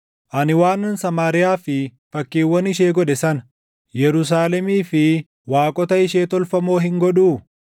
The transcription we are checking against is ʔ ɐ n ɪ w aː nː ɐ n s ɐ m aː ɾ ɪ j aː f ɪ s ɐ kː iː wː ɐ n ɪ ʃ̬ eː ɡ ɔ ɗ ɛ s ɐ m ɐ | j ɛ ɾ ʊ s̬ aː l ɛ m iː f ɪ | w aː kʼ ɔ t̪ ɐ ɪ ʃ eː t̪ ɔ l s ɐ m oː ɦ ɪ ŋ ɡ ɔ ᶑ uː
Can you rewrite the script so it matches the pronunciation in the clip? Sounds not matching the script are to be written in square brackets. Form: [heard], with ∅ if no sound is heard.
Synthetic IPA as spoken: ʔ ɐ n ɪ w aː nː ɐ n s ɐ m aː ɾ ɪ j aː f ɪ [f] ɐ kː iː wː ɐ n ɪ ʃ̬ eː ɡ ɔ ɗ ɛ s ɐ [n] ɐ | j ɛ ɾ ʊ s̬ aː l ɛ m iː f ɪ | w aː kʼ ɔ t̪ ɐ ɪ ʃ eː t̪ ɔ l [f] ɐ m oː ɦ ɪ ŋ ɡ ɔ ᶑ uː